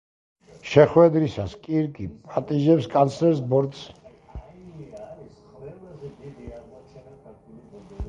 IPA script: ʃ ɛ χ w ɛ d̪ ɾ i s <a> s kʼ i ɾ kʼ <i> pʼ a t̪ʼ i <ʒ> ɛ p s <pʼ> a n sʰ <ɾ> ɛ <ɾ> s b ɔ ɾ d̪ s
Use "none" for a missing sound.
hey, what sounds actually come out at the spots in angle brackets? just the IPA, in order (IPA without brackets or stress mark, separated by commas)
a, i, ʒ, kʼ, l, ɾ